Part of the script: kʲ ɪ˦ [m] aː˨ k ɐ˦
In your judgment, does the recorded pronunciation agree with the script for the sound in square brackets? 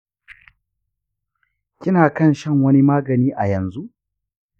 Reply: no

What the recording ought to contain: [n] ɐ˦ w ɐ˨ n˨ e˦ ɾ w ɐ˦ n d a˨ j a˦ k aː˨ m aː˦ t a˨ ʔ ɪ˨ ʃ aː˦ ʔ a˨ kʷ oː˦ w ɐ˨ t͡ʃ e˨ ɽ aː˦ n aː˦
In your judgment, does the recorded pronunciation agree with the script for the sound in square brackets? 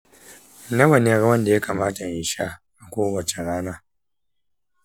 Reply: yes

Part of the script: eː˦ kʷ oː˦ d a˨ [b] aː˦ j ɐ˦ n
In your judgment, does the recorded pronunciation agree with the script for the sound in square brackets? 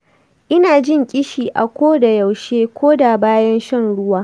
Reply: yes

